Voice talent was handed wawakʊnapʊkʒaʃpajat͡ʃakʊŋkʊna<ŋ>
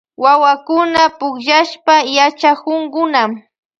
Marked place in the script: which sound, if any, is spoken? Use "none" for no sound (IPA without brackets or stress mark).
m